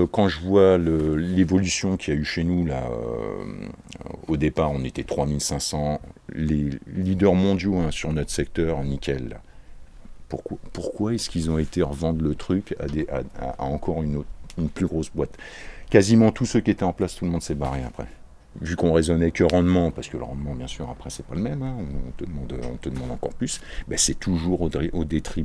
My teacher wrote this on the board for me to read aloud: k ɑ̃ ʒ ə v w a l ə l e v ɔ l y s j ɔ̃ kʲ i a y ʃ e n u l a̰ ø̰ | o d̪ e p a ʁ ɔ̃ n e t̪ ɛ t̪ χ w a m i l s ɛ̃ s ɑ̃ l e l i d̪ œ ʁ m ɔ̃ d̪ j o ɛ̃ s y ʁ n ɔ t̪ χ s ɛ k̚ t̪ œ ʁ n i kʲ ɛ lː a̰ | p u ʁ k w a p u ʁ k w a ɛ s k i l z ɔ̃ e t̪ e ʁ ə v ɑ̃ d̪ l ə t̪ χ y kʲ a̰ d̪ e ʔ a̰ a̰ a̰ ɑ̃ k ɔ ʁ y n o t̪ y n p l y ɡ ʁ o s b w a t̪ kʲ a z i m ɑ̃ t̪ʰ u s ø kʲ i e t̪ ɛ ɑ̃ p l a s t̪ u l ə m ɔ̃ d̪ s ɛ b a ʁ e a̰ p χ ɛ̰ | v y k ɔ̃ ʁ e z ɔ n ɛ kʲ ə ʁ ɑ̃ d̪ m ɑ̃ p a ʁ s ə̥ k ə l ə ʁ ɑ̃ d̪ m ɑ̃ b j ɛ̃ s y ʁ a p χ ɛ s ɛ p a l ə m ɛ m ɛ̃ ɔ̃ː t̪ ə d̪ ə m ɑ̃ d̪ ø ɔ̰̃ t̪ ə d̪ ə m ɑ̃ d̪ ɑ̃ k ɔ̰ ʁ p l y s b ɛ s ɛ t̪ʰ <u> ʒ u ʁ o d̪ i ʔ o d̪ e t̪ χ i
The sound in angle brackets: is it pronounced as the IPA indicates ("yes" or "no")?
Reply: yes